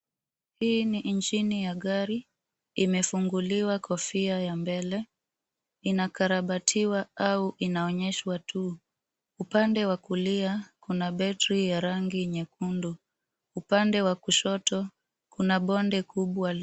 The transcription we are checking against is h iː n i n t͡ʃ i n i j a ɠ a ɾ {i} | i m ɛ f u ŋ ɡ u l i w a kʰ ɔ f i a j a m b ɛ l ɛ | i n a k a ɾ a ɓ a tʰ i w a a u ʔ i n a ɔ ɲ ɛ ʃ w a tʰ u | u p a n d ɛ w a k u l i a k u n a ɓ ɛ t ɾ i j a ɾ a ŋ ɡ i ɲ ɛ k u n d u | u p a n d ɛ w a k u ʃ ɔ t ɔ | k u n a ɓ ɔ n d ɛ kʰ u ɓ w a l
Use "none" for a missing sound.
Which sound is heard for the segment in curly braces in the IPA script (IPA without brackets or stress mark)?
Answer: i